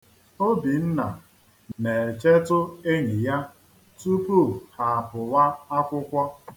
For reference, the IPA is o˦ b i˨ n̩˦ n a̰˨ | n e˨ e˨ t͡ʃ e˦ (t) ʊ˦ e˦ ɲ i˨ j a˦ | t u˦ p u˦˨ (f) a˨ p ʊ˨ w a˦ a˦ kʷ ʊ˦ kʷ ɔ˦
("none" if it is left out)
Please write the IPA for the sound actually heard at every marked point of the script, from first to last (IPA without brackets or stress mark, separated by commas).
t, h